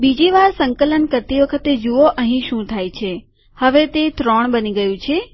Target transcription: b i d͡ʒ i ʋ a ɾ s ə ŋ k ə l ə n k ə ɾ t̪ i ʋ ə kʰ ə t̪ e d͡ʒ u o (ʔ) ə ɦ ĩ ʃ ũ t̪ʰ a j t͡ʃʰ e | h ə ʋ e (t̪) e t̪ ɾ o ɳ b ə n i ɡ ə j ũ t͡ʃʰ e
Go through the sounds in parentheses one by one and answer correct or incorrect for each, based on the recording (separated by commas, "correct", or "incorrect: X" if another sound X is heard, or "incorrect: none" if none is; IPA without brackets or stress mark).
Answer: correct, correct